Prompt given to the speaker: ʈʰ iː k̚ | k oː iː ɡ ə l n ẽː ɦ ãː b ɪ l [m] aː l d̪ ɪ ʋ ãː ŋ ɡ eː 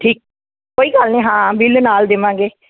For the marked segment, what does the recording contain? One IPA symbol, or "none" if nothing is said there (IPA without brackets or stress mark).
n